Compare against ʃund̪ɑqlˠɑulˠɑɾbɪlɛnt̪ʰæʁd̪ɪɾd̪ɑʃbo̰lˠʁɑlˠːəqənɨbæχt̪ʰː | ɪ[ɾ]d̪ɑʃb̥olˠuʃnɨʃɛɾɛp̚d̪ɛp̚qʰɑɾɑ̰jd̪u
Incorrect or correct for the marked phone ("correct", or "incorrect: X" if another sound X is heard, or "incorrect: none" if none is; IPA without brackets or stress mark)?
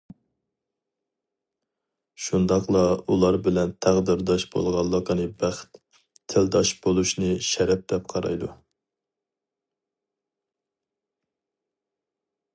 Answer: incorrect: l